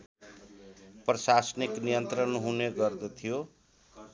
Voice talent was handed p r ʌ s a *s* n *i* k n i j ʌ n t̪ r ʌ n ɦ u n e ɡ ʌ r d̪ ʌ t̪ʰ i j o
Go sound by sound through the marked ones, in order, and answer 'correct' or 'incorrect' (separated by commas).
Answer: correct, correct